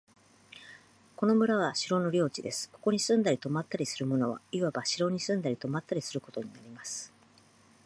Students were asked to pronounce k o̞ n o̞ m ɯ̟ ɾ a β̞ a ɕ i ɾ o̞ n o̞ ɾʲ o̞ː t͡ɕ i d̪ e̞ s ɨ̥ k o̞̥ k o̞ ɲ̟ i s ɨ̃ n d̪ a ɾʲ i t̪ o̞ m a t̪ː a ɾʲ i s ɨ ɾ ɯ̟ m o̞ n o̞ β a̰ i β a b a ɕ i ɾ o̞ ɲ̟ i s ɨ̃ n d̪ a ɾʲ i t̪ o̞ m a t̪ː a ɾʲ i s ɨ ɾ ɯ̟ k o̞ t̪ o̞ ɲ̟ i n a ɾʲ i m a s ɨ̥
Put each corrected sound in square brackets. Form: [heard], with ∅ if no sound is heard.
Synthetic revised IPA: k o̞ n o̞ m ɯ̟ ɾ a β̞ a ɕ i ɾ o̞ n o̞ ɾʲ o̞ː t͡ɕ i d̪ e̞ s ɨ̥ k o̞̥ k o̞ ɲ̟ i s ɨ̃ n d̪ a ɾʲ i t̪ o̞ m a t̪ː a ɾʲ i s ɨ ɾ ɯ̟ m o̞ n o̞ β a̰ i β a b a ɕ i ɾ o̞ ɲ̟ i s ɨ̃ n d̪ a ɾʲ i t̪ o̞ m a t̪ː a ɾʲ i s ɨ ɾ ɯ̟ k o̞ t̪ o̞ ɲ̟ i n a ɾʲ i m a s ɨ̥